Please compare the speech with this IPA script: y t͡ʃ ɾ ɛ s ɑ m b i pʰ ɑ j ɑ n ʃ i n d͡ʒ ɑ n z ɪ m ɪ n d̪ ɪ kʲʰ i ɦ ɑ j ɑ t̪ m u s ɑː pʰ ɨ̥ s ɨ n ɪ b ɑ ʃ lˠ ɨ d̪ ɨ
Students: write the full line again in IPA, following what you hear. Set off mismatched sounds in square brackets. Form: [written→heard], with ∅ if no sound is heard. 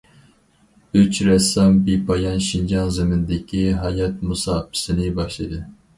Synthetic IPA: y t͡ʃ ɾ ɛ s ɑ m b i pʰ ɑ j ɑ n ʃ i n d͡ʒ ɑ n z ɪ m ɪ n d̪ ɪ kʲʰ i ɦ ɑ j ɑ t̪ m u s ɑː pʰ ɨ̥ s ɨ n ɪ b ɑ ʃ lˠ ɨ d̪ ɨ